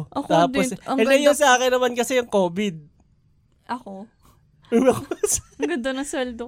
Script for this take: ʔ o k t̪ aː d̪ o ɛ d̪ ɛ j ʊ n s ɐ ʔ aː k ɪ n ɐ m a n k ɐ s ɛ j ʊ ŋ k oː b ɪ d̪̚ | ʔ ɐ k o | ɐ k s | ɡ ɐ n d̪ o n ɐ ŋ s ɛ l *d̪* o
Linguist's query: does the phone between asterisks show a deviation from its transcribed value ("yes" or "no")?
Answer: no